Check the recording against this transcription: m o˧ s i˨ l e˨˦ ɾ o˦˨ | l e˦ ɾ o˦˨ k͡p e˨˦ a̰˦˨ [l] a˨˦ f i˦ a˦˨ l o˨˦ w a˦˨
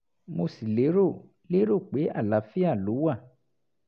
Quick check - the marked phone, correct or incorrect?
correct